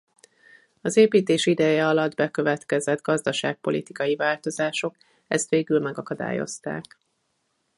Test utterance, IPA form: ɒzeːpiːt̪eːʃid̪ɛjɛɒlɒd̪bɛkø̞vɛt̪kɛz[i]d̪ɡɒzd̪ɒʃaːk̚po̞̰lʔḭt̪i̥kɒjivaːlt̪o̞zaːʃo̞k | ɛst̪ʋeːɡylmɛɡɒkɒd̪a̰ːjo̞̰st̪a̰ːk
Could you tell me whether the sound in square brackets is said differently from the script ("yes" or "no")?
yes